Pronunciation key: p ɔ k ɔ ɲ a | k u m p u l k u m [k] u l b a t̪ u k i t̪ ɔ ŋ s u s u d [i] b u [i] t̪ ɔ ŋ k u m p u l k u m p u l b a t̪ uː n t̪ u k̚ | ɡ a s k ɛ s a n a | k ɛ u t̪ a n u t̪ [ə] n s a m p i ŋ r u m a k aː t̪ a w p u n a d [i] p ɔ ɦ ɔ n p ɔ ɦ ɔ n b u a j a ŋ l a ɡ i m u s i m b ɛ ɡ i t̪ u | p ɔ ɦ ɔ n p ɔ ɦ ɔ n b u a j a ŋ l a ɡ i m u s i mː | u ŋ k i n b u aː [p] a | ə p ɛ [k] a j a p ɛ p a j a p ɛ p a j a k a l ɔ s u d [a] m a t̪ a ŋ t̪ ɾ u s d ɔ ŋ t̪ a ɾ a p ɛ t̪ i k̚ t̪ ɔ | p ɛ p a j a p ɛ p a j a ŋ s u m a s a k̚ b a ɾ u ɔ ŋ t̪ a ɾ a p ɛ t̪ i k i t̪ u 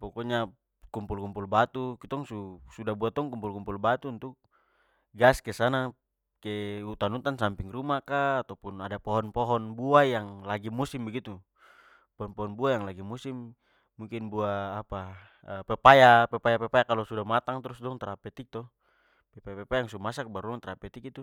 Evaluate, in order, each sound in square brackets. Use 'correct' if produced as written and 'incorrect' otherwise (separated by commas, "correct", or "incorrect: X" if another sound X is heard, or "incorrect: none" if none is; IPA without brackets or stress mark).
incorrect: p, incorrect: a, incorrect: a, incorrect: a, incorrect: a, correct, incorrect: p, correct